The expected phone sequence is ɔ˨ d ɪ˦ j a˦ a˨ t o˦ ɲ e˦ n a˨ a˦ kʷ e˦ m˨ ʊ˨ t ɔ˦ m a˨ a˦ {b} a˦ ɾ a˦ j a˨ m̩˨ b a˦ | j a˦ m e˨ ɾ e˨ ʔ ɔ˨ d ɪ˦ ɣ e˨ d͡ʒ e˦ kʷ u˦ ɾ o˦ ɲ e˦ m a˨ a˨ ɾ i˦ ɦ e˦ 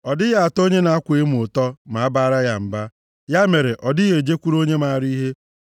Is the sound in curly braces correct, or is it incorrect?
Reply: correct